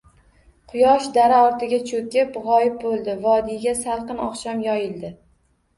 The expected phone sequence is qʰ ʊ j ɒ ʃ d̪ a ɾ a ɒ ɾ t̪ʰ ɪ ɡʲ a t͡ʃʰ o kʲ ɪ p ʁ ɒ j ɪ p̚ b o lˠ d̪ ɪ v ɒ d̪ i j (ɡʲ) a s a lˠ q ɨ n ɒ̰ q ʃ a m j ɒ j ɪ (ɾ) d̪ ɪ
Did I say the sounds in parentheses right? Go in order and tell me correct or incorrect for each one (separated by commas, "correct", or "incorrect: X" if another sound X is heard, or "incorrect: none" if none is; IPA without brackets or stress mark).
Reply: correct, incorrect: l